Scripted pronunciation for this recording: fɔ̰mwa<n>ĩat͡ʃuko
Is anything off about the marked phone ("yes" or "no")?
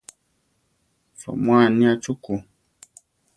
no